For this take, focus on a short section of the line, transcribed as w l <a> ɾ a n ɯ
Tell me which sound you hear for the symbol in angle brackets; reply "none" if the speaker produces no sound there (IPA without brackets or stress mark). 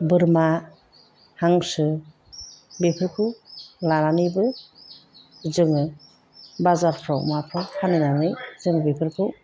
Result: a